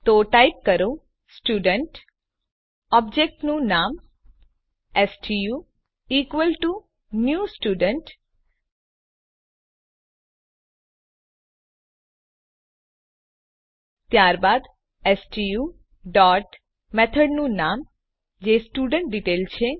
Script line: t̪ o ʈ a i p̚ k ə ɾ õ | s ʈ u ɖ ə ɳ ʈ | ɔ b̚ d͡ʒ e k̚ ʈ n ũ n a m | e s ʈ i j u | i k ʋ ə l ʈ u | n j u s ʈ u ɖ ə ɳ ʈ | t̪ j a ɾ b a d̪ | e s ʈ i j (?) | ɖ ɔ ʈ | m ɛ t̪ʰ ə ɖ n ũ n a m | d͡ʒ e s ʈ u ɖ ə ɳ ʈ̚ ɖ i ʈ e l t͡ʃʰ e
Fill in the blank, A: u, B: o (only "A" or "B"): A